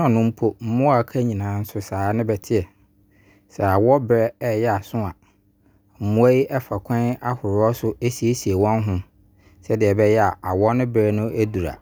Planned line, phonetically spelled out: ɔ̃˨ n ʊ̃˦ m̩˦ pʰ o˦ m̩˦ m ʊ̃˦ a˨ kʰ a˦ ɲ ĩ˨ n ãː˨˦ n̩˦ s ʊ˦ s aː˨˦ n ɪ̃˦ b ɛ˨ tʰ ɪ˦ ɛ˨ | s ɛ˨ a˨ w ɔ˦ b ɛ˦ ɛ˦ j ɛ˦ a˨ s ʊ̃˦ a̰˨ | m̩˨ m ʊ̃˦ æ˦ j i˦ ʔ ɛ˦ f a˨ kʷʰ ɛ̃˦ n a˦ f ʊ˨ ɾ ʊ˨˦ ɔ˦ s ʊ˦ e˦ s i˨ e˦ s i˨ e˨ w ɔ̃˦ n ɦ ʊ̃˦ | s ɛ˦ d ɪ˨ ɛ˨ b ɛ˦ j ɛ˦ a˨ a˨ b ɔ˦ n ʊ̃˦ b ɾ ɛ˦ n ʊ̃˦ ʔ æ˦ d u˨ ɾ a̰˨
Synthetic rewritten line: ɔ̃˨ n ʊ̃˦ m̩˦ pʰ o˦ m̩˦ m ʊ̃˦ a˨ kʰ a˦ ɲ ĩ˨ n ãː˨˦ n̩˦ s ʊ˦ s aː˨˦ n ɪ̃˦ b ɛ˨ tʰ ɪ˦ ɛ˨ | s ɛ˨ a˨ w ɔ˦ b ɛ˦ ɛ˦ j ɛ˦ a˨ s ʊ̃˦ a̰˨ | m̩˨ m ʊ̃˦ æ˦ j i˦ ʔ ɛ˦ f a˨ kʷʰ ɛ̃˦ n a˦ h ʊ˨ ɾ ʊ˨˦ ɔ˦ s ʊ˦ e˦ s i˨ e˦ s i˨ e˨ w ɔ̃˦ n ɦ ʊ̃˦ | s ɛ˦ d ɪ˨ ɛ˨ b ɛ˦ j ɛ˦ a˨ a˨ w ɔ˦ n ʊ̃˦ b ɾ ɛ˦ n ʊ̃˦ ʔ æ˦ d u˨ ɾ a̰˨